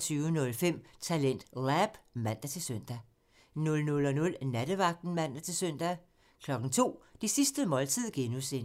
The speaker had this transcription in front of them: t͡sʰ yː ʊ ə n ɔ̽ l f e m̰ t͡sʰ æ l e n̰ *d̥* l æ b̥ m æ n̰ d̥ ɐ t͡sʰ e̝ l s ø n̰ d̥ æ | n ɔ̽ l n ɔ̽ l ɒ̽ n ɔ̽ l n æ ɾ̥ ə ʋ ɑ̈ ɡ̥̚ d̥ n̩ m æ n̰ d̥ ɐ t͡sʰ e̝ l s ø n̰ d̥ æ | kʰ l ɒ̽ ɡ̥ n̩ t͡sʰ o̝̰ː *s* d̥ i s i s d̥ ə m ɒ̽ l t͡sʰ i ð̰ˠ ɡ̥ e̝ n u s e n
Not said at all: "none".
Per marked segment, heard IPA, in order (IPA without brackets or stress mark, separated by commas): d̥, none